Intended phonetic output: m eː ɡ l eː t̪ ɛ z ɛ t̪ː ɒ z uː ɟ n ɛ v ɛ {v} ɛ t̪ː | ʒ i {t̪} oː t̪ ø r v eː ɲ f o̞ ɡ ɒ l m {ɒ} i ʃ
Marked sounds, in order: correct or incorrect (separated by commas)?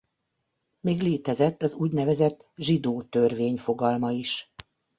incorrect, incorrect, correct